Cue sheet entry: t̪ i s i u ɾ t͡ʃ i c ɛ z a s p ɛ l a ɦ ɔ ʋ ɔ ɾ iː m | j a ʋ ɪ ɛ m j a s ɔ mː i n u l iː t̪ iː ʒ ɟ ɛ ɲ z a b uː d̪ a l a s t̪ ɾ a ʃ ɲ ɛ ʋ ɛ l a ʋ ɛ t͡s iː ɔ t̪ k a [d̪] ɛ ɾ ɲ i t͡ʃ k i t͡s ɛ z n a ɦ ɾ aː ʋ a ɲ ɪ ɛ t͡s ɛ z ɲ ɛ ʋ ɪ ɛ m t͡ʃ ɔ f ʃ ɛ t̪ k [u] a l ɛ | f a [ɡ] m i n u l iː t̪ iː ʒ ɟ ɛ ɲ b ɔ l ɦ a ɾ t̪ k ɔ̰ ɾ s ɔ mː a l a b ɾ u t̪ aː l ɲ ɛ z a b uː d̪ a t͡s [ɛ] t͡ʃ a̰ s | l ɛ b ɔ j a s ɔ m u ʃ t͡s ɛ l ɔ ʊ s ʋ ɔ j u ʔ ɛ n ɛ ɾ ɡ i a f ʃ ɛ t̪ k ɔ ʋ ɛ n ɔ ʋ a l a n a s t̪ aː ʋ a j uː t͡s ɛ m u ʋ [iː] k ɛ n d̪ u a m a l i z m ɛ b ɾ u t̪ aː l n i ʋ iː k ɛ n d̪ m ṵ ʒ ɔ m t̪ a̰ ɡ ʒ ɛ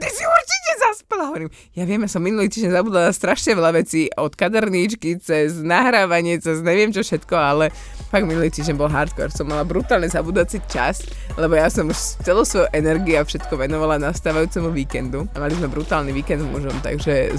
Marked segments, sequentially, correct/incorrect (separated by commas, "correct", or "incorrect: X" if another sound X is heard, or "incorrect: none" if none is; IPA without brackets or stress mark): correct, incorrect: ɔ, correct, incorrect: i, correct